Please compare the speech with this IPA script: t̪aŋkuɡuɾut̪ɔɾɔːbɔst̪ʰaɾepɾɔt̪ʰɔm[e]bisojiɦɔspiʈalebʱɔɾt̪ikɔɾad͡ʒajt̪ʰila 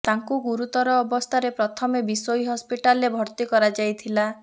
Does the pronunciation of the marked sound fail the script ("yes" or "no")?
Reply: no